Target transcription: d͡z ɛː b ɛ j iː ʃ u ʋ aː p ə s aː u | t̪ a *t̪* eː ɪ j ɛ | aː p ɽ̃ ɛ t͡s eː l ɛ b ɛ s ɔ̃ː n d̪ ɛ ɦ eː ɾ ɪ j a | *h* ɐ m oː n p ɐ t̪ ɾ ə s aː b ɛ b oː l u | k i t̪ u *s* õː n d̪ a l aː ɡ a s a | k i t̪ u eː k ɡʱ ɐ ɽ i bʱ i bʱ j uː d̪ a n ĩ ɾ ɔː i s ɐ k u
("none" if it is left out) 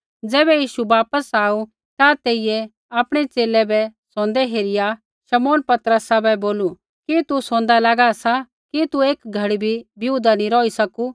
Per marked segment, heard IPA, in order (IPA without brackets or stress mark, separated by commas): t̪, ʃ, s